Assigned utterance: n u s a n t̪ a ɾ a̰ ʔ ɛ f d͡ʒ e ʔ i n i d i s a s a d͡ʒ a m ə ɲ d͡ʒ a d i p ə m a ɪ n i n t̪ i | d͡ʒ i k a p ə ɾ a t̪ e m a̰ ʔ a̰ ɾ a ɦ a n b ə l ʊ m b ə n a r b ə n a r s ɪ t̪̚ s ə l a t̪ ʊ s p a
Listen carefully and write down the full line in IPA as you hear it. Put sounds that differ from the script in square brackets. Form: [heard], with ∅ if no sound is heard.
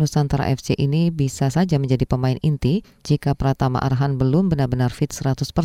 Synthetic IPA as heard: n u s a n t̪ a ɾ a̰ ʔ ɛ f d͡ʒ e ʔ i n i [b] i s a s a d͡ʒ a m ə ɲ d͡ʒ a d i p ə m a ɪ n i n t̪ i | d͡ʒ i k a p ə ɾ a t̪ [a] m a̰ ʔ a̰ ɾ a ɦ a n b ə l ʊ m b ə n a r b ə n a r [f] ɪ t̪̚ s ə [ɾ] a t̪ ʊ s p [ə]